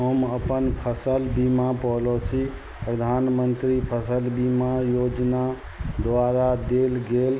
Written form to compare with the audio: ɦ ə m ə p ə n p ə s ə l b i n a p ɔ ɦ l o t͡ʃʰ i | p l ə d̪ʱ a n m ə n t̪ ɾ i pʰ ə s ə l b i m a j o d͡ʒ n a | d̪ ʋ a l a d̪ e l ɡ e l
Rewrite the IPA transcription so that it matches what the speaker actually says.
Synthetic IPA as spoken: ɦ ə m ə p ə n pʰ ə s ə l b i m a p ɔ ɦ l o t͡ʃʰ i | p ɾ ə d̪ʱ a n m ə n t̪ ɾ i pʰ ə s ə l b i m a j o d͡ʒ n a | d̪ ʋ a ɾ a d̪ e l ɡ e l